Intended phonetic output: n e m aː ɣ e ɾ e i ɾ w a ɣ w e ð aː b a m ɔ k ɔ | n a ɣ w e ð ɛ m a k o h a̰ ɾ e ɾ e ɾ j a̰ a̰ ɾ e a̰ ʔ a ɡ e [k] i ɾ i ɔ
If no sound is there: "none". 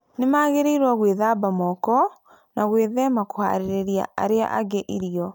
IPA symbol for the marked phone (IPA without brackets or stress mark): ʔ